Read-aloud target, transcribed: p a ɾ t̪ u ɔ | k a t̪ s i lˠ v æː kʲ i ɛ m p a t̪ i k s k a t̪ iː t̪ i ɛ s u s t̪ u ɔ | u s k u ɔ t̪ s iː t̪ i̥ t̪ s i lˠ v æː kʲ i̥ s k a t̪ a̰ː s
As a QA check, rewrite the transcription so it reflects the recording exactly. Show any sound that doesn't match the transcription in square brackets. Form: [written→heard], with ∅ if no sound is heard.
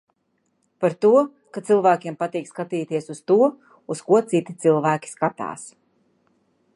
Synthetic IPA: p a ɾ t̪ u ɔ | k a t̪ s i lˠ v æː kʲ i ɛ m p a t̪ [i→iː] k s k a t̪ iː t̪ i ɛ s u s t̪ u ɔ | u s k u ɔ t̪ s [iː→i] t̪ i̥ t̪ s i lˠ v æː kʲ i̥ s k a t̪ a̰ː s